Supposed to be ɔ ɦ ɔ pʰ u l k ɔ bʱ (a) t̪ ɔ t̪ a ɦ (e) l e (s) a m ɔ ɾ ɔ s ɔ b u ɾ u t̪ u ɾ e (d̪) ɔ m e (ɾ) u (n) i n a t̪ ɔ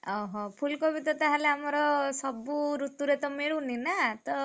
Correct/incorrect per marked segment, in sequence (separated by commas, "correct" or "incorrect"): incorrect, incorrect, incorrect, incorrect, incorrect, correct